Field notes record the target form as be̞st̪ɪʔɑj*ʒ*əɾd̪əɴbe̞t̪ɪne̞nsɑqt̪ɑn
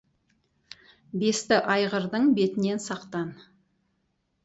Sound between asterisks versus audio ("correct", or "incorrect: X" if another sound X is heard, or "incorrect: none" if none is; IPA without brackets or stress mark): incorrect: ʁ